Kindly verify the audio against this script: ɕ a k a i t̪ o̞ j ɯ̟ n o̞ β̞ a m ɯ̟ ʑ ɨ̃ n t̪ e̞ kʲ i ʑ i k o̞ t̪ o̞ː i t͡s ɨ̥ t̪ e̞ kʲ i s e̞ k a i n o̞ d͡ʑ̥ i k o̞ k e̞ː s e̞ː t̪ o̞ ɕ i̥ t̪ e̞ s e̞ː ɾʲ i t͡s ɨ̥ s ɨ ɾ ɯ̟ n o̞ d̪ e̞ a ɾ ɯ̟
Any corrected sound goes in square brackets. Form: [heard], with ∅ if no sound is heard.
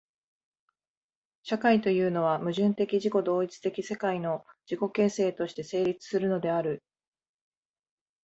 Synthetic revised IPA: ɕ a k a i t̪ o̞ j [ɯ̟ː] n o̞ β̞ a m ɯ̟ ʑ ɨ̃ n t̪ e̞ kʲ i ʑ i k o̞ [d̪] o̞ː i t͡s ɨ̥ t̪ e̞ kʲ i s e̞ k a i n o̞ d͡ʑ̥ i k o̞ k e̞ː s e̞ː t̪ o̞ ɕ i̥ t̪ e̞ s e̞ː ɾʲ i t͡s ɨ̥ s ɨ ɾ ɯ̟ n o̞ d̪ e̞ a ɾ ɯ̟